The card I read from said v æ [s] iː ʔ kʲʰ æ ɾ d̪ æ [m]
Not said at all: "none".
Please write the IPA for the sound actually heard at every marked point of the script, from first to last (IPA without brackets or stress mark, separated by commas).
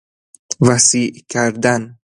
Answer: s, n